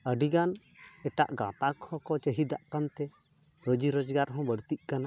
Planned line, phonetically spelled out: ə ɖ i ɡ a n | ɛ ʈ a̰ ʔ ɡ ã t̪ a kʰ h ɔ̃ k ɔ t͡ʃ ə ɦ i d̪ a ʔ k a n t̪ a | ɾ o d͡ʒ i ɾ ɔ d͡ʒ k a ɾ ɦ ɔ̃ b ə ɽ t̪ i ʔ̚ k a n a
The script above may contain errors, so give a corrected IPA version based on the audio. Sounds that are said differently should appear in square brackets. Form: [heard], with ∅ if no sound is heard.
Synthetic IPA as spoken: ə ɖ i ɡ a n | ɛ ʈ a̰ ʔ ɡ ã t̪ a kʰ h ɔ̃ k ɔ t͡ʃ ə ɦ i d̪ a ʔ k a n t̪ [ɛ] | ɾ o d͡ʒ i ɾ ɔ d͡ʒ [ɡ] a ɾ ɦ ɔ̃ b ə ɽ t̪ i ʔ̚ k a n a